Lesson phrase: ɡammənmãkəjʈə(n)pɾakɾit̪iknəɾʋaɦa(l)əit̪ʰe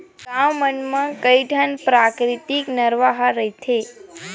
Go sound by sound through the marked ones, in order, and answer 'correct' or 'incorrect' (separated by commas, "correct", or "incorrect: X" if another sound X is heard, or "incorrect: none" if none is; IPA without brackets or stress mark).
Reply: correct, incorrect: ɾ